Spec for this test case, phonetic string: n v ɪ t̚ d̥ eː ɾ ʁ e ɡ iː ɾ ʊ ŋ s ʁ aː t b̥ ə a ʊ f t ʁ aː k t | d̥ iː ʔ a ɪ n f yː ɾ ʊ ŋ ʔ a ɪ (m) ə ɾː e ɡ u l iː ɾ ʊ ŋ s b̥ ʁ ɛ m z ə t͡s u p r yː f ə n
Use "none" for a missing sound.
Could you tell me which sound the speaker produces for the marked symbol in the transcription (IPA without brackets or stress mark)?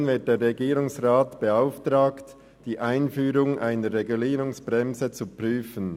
n